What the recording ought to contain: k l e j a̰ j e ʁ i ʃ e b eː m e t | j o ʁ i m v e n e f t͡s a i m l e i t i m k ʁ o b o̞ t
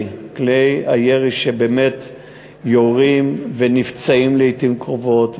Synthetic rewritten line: k l e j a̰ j e ʁ i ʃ e b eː m e t | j o ʁ i m v e n i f t͡s a i m l e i t i m k ʁ o v o̞ t